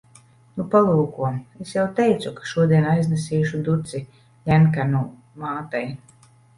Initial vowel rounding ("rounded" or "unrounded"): rounded